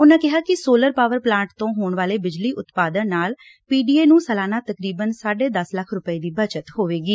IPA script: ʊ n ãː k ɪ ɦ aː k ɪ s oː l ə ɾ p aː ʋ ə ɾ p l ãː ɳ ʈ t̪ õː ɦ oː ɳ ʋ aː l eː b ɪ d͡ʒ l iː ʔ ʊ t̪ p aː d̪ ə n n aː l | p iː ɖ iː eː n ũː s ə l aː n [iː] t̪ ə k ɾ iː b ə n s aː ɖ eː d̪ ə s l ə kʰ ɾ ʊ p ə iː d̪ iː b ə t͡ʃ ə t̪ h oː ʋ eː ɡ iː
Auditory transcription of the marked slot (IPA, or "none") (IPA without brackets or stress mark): aː